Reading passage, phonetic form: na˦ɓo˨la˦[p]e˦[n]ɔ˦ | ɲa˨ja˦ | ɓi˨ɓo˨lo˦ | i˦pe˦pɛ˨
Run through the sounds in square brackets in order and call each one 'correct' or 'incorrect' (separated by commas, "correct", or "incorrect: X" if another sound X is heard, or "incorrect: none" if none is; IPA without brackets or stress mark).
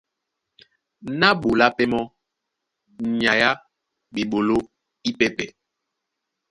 correct, incorrect: m